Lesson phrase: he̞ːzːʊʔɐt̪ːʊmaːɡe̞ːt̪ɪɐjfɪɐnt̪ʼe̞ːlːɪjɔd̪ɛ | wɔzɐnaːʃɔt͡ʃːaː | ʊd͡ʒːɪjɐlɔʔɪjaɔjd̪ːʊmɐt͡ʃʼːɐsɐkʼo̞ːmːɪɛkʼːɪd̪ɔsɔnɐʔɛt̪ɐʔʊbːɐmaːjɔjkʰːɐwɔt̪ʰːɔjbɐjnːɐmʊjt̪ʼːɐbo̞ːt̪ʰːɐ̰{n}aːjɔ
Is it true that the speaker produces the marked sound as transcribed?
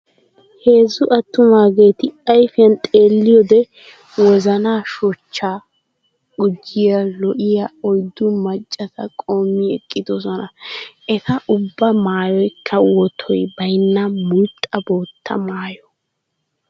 no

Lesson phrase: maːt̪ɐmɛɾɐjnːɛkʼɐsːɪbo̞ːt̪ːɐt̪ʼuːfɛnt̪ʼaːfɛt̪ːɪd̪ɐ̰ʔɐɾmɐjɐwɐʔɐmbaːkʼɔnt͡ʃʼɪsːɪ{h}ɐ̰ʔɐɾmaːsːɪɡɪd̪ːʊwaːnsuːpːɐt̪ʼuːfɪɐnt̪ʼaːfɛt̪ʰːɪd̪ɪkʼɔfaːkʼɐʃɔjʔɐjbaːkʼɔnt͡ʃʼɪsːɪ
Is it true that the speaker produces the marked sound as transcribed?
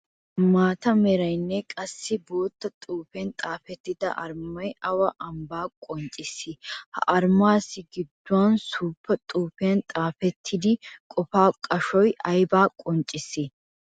yes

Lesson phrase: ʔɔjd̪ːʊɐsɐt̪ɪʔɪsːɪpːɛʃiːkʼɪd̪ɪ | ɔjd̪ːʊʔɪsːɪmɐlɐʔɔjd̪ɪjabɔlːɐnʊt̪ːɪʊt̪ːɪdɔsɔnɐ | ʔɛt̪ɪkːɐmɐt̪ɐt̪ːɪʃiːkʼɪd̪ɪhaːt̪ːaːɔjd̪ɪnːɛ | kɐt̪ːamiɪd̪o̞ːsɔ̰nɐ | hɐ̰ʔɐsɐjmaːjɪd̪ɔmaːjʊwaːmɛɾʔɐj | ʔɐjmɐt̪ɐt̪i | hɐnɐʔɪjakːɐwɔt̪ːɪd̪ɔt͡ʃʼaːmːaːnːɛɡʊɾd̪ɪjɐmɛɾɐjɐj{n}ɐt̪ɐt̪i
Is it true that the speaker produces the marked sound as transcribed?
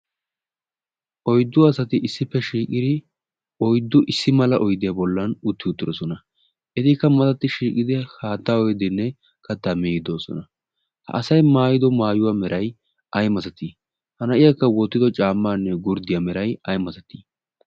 no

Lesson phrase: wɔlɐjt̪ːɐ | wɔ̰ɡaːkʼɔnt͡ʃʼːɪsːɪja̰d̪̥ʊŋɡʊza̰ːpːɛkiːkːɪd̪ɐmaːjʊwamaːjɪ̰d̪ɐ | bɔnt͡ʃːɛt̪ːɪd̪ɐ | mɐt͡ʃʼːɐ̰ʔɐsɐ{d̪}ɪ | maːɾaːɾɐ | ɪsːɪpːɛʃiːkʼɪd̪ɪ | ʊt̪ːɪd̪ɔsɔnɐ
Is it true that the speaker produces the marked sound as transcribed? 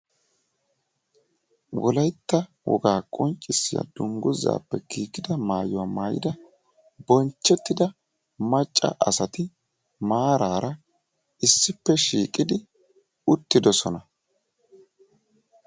no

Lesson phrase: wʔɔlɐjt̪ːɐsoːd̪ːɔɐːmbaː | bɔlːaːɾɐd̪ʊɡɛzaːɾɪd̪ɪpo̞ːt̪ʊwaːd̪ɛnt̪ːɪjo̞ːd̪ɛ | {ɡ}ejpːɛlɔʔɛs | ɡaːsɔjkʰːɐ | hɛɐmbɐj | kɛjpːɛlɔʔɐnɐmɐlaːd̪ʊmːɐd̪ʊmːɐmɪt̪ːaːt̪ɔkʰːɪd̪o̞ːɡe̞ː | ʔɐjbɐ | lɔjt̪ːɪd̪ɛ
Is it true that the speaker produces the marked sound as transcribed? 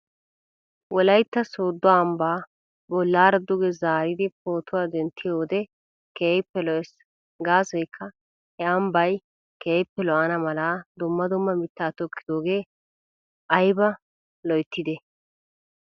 no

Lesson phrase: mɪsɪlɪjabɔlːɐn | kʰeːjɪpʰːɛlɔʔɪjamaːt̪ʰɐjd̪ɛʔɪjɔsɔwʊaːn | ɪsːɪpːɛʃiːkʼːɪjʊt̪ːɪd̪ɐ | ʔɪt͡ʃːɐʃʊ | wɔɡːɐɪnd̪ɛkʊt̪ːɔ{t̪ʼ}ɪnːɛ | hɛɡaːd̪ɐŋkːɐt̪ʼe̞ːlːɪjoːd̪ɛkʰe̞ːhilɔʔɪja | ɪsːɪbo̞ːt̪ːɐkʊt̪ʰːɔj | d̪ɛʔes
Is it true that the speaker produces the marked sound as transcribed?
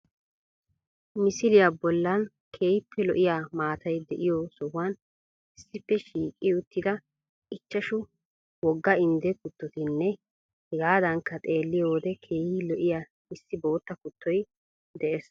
no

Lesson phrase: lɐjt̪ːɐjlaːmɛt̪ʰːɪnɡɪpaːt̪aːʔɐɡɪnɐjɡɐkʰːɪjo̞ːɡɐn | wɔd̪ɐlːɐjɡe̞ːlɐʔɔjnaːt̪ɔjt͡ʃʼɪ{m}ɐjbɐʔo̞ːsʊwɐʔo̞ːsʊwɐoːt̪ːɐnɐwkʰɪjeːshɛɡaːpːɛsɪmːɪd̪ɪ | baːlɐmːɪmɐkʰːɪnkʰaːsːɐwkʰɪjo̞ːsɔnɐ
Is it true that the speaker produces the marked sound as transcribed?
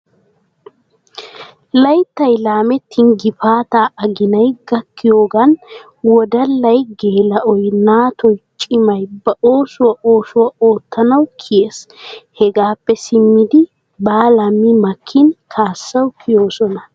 yes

